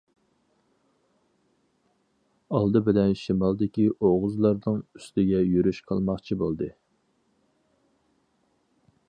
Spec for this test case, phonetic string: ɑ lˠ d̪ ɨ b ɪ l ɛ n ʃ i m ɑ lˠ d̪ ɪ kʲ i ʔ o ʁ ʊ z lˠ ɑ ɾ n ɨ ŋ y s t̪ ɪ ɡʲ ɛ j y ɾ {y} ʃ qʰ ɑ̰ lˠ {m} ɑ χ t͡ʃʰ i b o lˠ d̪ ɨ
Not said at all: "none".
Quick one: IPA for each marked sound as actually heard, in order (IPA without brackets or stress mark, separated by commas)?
y, m